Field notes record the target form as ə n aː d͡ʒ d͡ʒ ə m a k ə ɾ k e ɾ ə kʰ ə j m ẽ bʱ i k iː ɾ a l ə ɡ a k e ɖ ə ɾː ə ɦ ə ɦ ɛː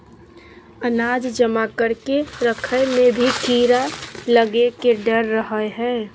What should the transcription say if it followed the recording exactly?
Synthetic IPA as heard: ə n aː d͡ʒ d͡ʒ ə m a k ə ɾ k e ɾ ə kʰ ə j m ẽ bʱ i k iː ɾ a l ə ɡ e k e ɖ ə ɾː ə ɦ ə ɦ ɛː

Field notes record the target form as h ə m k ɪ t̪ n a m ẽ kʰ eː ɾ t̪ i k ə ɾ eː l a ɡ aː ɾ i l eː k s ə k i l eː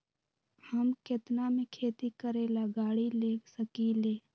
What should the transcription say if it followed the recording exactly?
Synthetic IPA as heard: h ə m k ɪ t̪ n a m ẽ kʰ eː t̪ i k ə ɾ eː l a ɡ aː ɽ i l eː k s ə k i l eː

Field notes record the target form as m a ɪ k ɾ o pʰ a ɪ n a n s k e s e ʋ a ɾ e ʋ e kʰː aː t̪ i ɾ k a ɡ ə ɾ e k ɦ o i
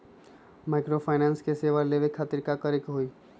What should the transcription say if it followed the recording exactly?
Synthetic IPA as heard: m a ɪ k ɾ o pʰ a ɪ n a n s k e s e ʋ a l e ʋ e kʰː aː t̪ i ɾ k a k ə ɾ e k ɦ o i

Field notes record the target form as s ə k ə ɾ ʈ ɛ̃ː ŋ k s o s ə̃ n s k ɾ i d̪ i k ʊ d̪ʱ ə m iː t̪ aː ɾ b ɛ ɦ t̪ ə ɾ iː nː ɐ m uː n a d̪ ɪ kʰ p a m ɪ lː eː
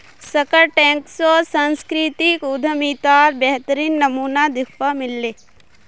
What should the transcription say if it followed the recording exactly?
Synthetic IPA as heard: s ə k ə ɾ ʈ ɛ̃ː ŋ k s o s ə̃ n s k ɾ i t̪ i k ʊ d̪ʱ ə m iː t̪ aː ɾ b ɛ ɦ t̪ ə ɾ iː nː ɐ m uː n a d̪ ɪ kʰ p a m ɪ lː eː

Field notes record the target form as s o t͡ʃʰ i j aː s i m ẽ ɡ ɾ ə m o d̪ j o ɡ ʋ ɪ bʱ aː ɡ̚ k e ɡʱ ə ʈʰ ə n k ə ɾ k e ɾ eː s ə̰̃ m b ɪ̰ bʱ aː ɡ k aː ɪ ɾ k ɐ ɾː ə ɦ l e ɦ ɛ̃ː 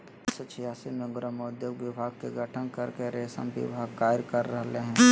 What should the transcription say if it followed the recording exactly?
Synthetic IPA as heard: s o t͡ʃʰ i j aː s i m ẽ ɡ ɾ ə m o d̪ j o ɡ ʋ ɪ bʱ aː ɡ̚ k e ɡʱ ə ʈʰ ə n k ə ɾ k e ɾ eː s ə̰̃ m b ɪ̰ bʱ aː ɡ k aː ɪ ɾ k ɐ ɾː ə ɦ l e ɦ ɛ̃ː

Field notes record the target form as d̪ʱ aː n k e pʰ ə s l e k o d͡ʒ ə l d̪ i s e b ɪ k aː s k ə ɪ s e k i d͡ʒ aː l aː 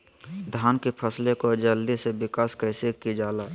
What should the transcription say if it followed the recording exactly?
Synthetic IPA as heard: d̪ʱ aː n k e pʰ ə s l e k o d͡ʒ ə l d̪ i s e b ɪ k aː s k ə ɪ s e k i d͡ʒ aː l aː

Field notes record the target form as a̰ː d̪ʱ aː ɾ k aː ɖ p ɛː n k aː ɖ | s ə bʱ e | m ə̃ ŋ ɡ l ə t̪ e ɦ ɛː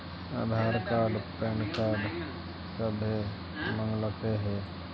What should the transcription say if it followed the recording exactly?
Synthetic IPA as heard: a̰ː d̪ʱ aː ɾ k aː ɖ p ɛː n k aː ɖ | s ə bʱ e | m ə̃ ŋ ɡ l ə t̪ e ɦ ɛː

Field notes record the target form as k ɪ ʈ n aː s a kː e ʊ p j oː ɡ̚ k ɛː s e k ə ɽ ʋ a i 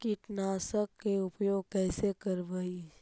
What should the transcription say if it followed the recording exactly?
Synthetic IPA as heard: k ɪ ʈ n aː s ə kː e ʊ p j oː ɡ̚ k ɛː s e k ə ɾ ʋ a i

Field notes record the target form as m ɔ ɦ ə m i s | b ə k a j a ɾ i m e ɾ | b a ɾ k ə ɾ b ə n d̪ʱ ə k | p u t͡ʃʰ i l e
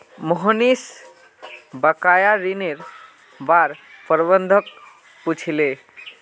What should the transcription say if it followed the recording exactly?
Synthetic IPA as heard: m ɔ ɦ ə n i s | b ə k a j a ɾ i n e ɾ | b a ɾ p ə ɾ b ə n d̪ʱ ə k | p u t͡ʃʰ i l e

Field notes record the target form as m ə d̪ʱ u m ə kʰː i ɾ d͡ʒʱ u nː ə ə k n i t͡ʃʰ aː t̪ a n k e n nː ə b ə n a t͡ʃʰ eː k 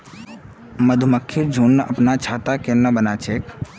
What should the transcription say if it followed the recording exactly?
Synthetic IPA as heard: m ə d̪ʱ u m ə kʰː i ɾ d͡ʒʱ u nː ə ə p n a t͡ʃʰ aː t̪ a k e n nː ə b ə n a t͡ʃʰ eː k

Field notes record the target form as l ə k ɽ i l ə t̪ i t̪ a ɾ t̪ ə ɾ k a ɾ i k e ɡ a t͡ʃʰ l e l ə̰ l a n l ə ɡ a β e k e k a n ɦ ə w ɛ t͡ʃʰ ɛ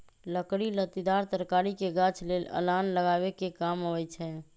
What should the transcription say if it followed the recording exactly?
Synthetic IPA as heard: l ə k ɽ i l ə t̪ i d̪ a ɾ t̪ ə ɾ k a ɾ i k e ɡ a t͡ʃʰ l e l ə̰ l a n l ə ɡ a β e k e k a m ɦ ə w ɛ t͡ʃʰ ɛ

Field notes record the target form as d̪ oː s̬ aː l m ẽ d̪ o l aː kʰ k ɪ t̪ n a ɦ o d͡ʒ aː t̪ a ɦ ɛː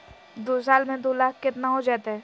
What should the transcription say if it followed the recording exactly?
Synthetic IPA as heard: d̪ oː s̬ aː l m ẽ d̪ o l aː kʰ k ɪ t̪ n a ɦ o d͡ʒ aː t̪ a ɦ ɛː

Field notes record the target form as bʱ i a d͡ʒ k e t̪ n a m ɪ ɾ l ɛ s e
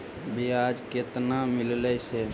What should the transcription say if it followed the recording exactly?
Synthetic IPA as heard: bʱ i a d͡ʒ k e t̪ n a m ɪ l l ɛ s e

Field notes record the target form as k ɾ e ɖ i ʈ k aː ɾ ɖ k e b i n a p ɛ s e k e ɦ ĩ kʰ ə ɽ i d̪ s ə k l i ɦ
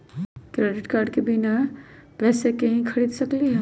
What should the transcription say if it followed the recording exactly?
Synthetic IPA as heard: k ɾ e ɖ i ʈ k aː ɾ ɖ k e b i n a p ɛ s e k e ɦ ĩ kʰ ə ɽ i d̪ s ə k l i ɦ

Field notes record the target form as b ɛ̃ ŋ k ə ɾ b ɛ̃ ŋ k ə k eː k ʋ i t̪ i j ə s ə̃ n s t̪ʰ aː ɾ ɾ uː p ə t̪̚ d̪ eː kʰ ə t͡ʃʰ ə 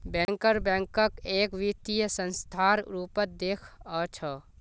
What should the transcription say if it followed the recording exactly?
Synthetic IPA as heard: b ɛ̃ ŋ k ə ɾ b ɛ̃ ŋ k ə k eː k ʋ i t̪ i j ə s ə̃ n s t̪ʰ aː ɾ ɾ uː p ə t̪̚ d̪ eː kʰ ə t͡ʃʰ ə

